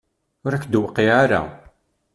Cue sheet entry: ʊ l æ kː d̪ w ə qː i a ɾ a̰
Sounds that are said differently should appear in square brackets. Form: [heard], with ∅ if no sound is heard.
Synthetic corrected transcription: ʊ [ɾ] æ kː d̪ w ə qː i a ɾ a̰